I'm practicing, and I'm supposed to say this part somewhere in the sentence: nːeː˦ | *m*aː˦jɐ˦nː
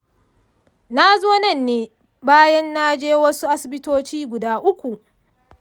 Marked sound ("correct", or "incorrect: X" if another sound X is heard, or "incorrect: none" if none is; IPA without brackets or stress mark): incorrect: b